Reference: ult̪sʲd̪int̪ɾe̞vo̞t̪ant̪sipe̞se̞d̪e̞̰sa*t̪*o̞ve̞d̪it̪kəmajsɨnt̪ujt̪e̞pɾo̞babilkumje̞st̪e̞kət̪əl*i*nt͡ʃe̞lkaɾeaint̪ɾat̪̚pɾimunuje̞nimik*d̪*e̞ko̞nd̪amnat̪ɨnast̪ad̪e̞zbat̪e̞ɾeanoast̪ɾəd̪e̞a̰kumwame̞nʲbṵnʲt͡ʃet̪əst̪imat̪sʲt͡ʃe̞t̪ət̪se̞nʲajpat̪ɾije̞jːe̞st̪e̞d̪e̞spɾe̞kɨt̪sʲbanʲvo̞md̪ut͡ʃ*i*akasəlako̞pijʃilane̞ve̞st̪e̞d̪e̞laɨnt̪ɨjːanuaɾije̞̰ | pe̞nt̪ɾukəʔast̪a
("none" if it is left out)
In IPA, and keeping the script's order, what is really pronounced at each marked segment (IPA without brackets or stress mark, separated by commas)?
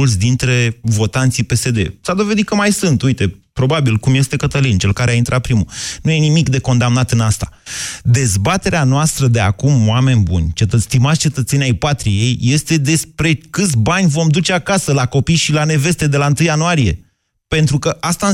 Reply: d̪, i, d̪, e